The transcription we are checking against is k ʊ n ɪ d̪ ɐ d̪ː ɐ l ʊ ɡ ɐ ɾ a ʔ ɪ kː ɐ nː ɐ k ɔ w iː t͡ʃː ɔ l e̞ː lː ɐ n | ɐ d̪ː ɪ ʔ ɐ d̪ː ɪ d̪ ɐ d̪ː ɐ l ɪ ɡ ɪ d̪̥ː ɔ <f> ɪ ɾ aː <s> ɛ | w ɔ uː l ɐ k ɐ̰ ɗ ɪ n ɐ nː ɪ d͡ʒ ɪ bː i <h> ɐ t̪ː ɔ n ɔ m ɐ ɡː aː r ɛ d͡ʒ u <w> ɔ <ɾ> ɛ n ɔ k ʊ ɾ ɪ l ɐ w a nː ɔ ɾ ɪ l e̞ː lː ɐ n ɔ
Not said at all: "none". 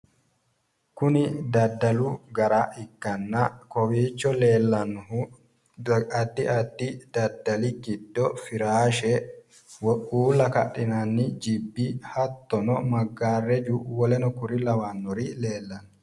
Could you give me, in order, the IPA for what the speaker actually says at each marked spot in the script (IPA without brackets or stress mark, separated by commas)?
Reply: f, ʃ, h, w, l